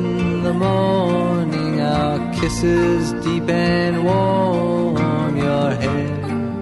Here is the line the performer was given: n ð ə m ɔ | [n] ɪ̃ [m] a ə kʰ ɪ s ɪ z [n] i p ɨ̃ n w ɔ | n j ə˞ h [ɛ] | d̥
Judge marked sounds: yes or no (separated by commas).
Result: yes, no, no, yes